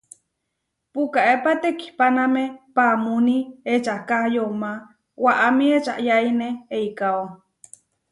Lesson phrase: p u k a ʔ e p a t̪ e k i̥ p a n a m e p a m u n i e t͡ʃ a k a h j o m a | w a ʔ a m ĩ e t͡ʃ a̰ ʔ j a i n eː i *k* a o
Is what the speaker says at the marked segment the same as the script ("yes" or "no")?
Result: yes